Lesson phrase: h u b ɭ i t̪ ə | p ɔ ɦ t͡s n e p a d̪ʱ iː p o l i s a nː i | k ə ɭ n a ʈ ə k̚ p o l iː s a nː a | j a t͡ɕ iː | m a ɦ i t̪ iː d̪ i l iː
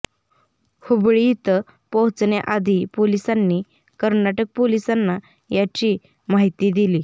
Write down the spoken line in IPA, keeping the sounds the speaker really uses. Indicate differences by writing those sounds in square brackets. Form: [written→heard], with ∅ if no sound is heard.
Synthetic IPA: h u b ɭ i t̪ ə | p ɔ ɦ t͡s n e [p→ʔ] a d̪ʱ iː p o l i s a nː i | k ə [ɭ→ɾ] n a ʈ ə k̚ p o l [iː→i] s a nː a | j a t͡ɕ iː | m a ɦ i t̪ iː d̪ i l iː